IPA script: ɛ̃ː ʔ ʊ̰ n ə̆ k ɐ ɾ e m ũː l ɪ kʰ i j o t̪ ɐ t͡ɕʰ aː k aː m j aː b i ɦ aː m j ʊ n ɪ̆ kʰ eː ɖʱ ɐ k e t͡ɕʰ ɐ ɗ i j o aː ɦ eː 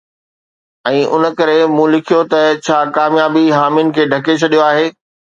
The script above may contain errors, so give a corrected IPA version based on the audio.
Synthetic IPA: ɛ̃ː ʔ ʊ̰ n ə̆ k ɐ ɾ e m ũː l ɪ kʰ i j o t̪ ɐ t͡ɕʰ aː k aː m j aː b i ɦ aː m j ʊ n ɪ̆ kʰ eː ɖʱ ɐ k e t͡ɕʰ ɐ ɗ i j o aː ɦ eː